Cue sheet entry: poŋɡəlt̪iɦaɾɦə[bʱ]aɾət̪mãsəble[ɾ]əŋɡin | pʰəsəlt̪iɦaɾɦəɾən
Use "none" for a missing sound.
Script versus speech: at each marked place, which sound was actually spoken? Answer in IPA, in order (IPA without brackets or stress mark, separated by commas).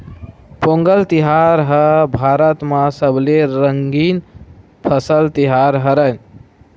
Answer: bʱ, ɾ